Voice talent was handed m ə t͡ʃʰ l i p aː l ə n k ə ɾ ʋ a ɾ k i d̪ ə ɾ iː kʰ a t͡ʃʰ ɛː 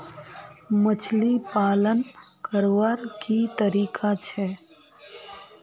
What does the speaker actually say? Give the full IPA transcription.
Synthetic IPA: m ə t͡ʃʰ l i p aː l ə n k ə ɾ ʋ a ɾ k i t̪ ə ɾ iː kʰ a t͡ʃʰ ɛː